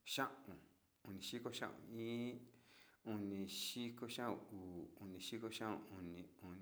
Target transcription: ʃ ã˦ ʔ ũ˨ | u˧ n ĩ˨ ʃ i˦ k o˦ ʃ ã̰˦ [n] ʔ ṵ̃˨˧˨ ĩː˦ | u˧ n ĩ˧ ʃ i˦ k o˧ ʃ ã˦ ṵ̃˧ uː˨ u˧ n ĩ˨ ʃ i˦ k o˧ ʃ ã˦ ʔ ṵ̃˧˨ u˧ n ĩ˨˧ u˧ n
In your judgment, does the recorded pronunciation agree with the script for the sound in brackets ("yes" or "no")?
no